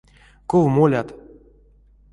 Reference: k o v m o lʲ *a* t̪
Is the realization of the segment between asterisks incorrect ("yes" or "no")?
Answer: no